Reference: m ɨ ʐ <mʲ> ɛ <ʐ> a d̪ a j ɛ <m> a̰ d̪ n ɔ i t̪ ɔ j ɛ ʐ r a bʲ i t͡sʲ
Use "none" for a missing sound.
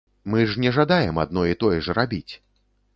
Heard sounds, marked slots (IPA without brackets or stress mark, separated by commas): nʲ, ʐ, m